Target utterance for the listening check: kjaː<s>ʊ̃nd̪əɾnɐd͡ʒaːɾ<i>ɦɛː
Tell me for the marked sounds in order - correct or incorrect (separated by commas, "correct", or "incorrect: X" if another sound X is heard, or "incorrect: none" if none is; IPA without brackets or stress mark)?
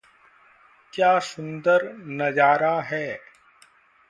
correct, incorrect: a